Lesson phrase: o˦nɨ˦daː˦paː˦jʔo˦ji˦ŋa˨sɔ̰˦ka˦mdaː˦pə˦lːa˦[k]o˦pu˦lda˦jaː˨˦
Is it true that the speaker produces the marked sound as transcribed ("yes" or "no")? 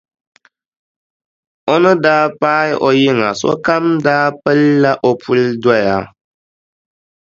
no